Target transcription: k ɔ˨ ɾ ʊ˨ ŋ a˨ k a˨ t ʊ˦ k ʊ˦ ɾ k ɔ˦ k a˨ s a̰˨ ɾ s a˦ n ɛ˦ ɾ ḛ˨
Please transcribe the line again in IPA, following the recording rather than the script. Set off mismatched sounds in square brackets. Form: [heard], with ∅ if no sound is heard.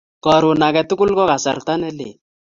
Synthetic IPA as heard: k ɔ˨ ɾ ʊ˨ [n] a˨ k [ɛ˨] t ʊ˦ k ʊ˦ [l] k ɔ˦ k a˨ s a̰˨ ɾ [t] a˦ n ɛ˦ [l] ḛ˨